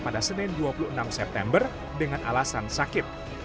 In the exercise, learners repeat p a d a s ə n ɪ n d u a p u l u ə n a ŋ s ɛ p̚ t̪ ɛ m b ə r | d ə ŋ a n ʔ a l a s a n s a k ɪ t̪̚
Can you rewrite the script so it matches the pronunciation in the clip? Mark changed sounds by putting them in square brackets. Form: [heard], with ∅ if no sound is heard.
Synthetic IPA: p a d a s ə n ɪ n d u a p u l u ə n a [m] s ɛ p̚ t̪ ɛ m b ə r | d ə ŋ a n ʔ a l a s a n s a k ɪ t̪̚